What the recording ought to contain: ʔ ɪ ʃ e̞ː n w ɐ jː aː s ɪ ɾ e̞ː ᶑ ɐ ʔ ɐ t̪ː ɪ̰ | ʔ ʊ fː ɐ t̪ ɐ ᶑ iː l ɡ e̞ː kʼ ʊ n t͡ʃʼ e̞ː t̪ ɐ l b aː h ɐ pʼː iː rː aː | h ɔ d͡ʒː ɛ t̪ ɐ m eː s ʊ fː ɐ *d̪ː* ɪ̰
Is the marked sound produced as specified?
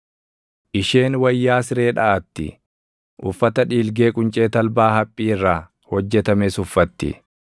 no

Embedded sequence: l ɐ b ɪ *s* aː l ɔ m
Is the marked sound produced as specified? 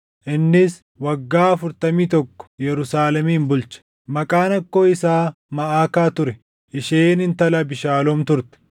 no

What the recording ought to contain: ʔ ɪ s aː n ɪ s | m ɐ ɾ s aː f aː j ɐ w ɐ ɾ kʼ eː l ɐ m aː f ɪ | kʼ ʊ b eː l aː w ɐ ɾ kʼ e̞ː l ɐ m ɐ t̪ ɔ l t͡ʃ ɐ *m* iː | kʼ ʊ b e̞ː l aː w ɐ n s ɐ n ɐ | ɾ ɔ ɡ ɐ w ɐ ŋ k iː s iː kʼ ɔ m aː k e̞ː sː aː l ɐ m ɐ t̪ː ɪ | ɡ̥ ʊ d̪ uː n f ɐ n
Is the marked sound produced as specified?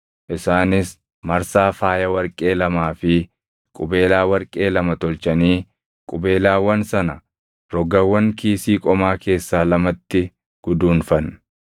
no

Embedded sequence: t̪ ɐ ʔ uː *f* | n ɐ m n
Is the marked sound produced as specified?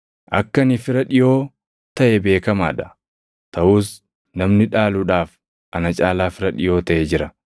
no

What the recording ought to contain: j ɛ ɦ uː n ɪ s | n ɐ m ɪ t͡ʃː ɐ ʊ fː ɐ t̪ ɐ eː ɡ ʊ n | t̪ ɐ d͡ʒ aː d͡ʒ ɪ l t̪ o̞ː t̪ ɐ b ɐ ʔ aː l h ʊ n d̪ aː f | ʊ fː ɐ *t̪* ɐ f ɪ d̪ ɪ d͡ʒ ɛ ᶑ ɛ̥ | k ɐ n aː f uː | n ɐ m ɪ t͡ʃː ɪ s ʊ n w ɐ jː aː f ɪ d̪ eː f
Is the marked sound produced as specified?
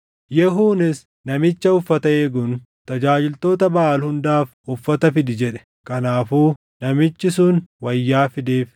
yes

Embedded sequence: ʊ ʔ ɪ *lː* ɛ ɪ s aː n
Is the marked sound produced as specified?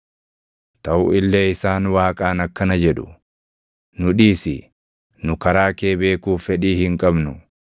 yes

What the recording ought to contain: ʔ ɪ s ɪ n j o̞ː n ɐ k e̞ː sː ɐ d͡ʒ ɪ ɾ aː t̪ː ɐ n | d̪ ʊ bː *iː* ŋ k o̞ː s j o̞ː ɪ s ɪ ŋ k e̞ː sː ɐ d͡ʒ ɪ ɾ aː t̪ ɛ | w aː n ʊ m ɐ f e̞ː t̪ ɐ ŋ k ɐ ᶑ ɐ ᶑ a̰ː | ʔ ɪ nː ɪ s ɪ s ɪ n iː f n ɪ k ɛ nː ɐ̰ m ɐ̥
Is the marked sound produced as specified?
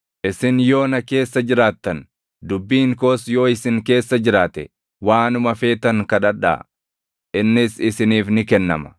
yes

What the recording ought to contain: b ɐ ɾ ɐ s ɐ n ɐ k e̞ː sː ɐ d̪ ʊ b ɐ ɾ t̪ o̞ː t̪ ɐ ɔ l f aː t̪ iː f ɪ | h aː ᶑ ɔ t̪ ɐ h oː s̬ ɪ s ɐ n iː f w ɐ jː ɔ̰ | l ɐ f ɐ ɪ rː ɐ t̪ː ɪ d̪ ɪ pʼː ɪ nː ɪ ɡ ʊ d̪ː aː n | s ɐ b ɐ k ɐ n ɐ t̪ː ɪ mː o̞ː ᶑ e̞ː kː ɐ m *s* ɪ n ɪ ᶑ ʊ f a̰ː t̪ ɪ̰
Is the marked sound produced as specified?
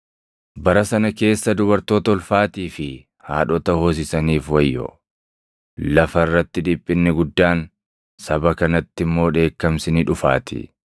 yes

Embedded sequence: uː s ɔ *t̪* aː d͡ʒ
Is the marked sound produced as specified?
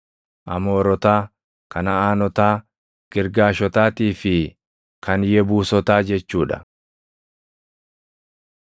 yes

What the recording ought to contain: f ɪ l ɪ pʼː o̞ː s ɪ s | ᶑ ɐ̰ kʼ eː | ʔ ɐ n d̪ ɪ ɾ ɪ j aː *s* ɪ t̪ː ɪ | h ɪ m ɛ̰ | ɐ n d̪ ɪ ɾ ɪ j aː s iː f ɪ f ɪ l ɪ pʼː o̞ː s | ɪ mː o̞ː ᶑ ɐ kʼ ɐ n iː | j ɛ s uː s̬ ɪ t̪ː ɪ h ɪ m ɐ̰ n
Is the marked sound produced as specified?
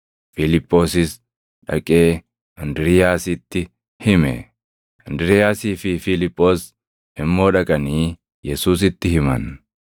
yes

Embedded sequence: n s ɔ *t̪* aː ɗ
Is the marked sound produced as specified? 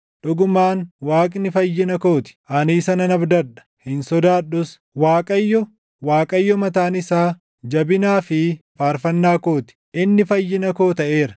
no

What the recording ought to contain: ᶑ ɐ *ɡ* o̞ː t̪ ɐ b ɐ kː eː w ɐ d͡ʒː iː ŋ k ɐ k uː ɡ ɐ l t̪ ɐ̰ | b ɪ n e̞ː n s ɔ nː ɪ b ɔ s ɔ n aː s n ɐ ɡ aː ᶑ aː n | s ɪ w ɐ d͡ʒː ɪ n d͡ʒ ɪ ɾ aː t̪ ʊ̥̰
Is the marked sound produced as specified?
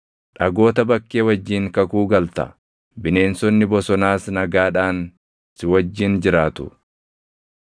yes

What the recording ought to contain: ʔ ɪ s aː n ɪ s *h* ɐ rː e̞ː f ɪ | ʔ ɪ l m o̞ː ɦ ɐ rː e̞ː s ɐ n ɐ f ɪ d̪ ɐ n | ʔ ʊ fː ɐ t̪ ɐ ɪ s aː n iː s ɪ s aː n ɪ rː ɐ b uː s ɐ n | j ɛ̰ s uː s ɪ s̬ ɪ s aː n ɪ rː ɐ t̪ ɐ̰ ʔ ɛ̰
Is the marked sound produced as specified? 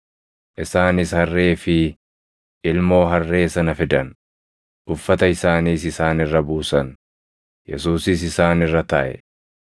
yes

